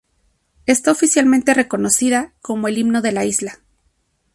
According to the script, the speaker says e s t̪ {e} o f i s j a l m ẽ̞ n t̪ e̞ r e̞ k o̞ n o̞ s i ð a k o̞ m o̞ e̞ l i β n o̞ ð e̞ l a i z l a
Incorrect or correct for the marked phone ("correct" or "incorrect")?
incorrect